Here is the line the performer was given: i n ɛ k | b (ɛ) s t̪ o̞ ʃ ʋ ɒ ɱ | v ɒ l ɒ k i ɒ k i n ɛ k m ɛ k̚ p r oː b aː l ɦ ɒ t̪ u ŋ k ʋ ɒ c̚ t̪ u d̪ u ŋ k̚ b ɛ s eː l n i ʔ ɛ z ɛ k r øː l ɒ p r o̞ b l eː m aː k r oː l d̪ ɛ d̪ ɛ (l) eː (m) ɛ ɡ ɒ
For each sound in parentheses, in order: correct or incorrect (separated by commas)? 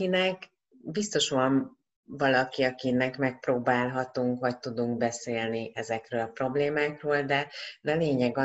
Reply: incorrect, correct, incorrect